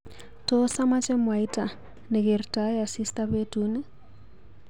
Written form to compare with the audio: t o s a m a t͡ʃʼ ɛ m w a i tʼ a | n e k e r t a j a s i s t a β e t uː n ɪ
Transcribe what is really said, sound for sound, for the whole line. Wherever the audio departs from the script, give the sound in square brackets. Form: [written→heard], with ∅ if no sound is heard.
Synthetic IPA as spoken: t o s a m a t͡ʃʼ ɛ m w a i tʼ a | n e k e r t a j a s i s t a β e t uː n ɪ